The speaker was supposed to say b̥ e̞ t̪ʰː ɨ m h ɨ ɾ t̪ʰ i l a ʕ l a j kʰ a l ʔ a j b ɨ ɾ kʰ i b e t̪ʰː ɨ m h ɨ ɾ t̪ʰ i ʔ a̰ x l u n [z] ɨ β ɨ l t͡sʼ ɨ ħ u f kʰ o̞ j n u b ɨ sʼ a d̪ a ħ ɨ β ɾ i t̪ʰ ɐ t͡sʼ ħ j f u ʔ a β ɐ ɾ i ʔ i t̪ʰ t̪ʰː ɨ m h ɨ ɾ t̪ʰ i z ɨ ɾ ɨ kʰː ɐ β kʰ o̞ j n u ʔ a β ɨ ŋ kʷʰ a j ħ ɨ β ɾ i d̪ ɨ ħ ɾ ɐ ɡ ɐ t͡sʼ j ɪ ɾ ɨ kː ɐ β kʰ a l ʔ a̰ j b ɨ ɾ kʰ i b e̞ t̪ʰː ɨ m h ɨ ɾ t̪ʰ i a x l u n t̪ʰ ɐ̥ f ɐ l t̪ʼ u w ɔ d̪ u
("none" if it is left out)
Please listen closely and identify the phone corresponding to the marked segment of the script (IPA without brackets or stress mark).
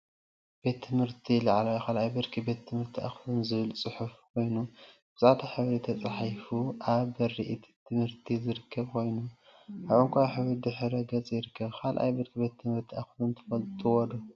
z